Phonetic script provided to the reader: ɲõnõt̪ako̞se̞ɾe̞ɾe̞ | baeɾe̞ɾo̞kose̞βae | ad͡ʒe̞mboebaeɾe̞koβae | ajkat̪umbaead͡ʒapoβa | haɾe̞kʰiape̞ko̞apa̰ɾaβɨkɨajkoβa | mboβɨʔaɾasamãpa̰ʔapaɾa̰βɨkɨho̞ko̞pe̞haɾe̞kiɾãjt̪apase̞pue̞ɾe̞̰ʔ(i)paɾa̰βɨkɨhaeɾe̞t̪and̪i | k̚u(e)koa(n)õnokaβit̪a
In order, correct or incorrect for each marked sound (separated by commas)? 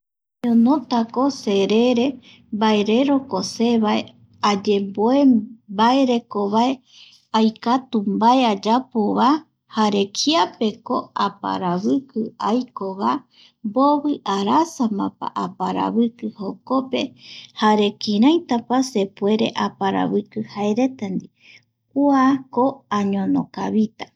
incorrect, incorrect, incorrect